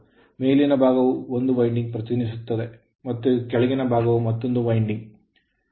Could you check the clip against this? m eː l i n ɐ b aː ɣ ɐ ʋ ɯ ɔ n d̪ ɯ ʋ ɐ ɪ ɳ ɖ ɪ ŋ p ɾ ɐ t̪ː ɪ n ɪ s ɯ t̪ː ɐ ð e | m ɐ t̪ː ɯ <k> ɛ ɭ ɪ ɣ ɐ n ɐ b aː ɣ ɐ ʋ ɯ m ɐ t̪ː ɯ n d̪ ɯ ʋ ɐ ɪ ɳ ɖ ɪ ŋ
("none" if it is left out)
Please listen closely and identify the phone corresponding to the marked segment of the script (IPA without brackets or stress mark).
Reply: k